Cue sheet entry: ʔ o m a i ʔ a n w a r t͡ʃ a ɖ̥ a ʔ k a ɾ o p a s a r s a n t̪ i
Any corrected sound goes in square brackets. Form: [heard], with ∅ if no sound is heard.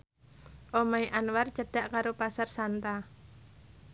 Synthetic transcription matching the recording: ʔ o m a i ʔ a n w a r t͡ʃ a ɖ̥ a ʔ k a ɾ o p a s a r s a n t̪ [a]